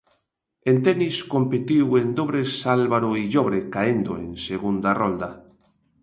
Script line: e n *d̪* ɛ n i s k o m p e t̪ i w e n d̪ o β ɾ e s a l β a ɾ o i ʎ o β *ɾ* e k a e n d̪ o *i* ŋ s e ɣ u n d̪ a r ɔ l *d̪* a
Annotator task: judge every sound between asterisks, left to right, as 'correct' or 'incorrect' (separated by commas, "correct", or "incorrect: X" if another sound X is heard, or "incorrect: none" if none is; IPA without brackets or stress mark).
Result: incorrect: t̪, correct, incorrect: e, correct